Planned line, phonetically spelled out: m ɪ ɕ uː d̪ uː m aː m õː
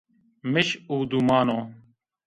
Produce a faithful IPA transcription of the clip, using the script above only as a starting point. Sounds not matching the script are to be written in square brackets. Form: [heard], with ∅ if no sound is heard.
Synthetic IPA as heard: m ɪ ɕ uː d̪ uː m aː [n] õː